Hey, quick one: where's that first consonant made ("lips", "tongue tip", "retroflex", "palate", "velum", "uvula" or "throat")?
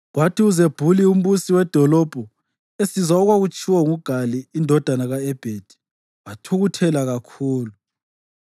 velum